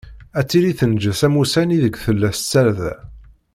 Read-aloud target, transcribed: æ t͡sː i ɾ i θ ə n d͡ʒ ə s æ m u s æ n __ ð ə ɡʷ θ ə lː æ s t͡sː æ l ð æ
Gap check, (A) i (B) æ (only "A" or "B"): A